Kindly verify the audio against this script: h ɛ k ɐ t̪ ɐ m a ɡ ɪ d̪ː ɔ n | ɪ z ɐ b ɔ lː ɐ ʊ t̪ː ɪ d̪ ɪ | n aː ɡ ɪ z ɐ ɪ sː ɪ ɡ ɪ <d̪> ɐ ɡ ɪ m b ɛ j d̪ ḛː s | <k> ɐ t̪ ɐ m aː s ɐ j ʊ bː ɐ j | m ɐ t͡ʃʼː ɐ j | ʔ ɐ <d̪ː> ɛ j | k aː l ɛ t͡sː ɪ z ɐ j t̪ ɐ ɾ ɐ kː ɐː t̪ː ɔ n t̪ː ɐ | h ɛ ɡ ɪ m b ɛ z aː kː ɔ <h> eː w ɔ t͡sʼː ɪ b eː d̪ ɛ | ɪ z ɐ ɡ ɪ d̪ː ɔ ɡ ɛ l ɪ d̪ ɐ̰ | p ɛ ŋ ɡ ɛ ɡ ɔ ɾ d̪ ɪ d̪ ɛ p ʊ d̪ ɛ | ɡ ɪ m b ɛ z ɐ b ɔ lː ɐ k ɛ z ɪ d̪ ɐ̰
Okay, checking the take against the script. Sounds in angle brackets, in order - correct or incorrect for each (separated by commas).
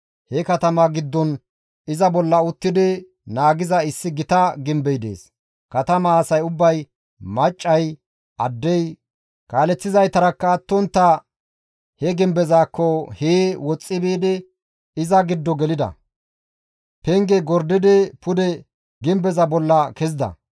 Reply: incorrect, correct, correct, correct